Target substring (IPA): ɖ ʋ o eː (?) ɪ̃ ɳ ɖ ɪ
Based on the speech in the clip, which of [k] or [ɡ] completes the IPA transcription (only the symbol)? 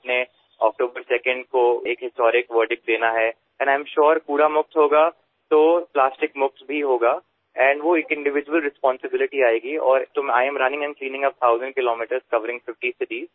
k